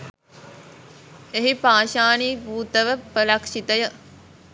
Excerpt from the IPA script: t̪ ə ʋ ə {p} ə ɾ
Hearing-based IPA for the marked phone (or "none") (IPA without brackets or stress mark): p